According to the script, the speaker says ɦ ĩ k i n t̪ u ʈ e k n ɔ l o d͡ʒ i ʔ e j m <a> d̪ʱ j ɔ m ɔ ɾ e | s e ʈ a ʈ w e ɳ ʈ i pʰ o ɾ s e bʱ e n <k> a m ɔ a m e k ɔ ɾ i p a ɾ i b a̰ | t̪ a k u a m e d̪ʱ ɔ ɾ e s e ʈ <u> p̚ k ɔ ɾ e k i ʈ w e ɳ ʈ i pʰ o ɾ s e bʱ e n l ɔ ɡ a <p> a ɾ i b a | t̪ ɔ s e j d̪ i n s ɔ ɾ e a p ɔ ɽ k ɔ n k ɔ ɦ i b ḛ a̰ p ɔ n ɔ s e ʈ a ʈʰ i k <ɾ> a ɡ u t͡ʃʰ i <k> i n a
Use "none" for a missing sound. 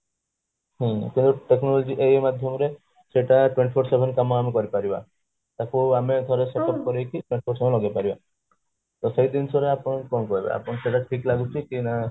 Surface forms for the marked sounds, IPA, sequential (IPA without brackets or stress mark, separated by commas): a, k, ɔ, p, l, k